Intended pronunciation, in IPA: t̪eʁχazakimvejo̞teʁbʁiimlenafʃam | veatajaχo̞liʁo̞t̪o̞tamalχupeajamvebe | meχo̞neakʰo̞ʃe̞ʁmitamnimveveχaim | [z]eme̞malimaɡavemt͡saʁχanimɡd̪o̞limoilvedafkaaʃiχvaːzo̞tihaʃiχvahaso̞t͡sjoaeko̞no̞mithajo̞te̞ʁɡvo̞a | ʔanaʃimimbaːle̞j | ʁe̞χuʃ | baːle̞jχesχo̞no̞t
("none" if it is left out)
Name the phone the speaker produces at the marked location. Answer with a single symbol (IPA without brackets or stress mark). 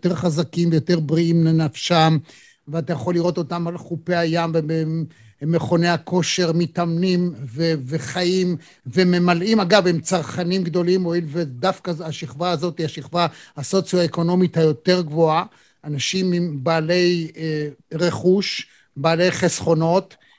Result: v